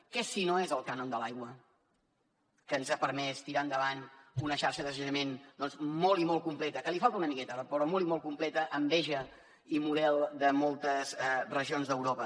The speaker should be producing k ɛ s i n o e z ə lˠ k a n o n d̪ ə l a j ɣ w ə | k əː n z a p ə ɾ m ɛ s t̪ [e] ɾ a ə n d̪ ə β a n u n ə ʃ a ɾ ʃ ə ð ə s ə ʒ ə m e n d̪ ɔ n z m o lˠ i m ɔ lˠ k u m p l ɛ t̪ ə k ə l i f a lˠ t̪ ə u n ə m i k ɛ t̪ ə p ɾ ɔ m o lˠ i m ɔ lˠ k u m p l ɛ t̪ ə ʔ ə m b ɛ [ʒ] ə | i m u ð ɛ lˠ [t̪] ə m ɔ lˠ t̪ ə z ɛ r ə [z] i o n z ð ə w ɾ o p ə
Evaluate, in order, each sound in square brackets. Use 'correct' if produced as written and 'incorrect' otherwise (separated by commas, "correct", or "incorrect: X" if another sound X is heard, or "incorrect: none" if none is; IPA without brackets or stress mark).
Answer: incorrect: i, correct, incorrect: d̪, incorrect: ʒ